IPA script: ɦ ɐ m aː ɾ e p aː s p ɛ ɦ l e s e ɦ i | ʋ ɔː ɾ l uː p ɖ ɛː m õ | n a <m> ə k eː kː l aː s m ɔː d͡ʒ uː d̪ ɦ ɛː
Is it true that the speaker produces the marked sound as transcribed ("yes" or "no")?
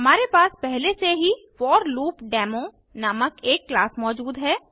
yes